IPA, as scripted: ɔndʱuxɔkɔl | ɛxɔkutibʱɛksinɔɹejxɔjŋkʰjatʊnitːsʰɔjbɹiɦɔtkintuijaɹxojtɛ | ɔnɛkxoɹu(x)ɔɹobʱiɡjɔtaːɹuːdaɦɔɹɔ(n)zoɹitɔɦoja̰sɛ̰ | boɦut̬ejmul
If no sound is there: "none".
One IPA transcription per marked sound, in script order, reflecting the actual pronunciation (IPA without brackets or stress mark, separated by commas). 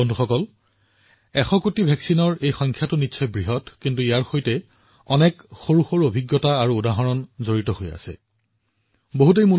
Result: x, n